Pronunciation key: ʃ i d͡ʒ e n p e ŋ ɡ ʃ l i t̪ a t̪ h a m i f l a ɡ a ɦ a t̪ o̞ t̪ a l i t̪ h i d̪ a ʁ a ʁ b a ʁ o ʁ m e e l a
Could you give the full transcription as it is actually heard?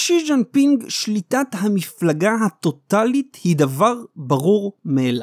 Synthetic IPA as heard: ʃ i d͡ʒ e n p i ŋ ɡ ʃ l i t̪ a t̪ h a m i f l a ɡ a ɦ a t̪ o̞ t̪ a l i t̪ h i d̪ a v a ʁ b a ʁ u ʁ m e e l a